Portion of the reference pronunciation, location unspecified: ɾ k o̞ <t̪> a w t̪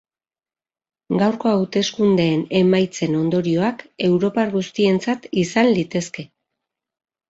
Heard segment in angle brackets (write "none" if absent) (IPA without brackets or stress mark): none